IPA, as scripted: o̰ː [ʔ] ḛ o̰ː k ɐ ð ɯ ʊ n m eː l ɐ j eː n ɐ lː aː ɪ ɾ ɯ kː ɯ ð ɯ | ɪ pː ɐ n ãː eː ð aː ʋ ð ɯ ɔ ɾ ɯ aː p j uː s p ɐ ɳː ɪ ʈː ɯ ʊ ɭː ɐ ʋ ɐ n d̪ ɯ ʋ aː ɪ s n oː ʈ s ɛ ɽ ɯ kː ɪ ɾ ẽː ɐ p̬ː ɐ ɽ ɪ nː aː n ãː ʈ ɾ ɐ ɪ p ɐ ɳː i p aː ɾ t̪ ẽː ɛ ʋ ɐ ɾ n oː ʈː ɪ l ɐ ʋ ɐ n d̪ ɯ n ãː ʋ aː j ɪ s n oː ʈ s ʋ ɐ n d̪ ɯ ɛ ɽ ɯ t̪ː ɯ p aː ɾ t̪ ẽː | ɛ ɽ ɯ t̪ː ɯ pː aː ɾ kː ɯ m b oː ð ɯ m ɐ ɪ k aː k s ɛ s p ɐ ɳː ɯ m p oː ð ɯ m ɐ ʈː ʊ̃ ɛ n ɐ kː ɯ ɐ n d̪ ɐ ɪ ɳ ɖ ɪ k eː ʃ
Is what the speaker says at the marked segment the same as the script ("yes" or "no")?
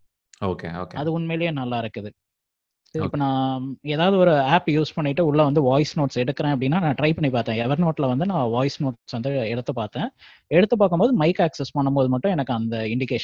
no